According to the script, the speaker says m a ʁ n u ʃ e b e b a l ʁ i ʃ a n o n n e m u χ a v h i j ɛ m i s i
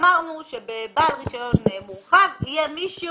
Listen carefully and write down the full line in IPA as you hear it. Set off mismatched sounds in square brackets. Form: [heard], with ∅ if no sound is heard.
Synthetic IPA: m a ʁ n u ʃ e b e b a l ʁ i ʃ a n o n n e m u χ a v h i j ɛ m i [ʃ] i